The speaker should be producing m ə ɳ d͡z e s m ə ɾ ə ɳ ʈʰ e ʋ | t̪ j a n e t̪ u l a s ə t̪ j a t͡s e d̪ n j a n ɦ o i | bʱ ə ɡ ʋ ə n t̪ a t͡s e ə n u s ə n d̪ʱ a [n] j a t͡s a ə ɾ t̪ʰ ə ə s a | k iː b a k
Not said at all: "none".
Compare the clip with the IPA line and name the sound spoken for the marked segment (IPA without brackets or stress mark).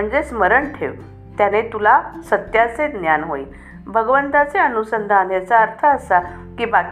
n